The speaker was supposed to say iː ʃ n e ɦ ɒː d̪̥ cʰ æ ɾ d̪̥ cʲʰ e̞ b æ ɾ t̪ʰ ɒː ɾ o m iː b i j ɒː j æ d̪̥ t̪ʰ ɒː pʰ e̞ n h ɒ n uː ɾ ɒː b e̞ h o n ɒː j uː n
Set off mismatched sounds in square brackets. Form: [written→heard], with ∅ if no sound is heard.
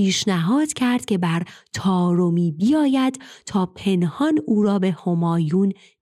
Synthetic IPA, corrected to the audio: iː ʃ n [e→æ] ɦ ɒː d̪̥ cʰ æ ɾ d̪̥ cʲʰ e̞ b æ ɾ t̪ʰ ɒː ɾ o m iː b i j ɒː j æ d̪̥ t̪ʰ ɒː pʰ e̞ n h ɒ n uː ɾ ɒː b e̞ h o [n→m] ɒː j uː n